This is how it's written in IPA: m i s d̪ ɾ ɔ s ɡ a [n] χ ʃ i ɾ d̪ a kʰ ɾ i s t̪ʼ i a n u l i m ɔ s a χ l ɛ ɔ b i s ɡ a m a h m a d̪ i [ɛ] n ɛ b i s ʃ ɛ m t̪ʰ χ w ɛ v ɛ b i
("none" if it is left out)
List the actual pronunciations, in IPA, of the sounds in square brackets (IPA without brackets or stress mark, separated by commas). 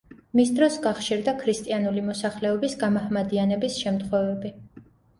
none, a